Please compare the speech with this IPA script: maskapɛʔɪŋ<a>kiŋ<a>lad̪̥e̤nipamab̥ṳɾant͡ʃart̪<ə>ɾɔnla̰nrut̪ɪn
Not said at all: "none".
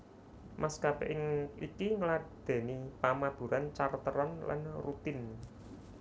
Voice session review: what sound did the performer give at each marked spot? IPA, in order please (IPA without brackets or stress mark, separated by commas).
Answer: i, ə, ə